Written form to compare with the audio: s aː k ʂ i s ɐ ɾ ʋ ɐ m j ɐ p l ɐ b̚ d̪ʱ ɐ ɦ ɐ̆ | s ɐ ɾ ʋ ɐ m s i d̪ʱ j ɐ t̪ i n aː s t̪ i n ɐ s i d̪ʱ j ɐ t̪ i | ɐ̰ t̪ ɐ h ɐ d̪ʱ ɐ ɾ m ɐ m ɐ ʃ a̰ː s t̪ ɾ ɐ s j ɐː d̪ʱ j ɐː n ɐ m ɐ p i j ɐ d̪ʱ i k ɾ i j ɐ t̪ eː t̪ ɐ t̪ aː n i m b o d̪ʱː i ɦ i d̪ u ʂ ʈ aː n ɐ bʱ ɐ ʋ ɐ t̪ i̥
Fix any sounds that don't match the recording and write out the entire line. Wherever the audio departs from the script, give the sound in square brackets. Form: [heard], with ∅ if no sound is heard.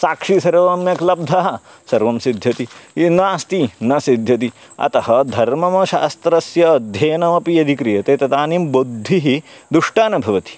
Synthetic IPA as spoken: s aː k ʂ i s ɐ ɾ ʋ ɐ m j ɐ [k] l ɐ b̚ d̪ʱ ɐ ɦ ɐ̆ | s ɐ ɾ ʋ ɐ m s i d̪ʱ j ɐ t̪ i n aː s t̪ i n ɐ s i d̪ʱ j ɐ t̪ i | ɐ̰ t̪ ɐ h ɐ d̪ʱ ɐ ɾ m ɐ m ɐ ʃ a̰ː s t̪ ɾ ɐ s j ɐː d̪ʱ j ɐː n ɐ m ɐ p i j ɐ d̪ʱ i k ɾ i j ɐ t̪ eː t̪ ɐ t̪ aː n i m b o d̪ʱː i ɦ i d̪ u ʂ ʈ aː n ɐ bʱ ɐ ʋ ɐ t̪ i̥